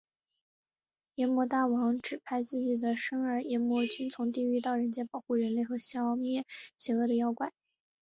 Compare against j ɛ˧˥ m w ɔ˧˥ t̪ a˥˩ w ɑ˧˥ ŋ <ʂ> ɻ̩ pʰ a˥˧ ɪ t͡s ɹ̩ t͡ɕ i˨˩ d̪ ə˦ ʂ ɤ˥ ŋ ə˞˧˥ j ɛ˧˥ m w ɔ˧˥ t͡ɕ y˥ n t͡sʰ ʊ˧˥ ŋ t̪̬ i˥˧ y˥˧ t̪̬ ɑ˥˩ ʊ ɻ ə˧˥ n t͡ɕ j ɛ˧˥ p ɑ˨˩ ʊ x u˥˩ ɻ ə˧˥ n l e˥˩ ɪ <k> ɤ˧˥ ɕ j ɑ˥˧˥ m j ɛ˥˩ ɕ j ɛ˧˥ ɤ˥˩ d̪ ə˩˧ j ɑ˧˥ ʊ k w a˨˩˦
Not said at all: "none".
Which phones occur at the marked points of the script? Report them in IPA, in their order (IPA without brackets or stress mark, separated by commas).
ʈ͡ʂ, x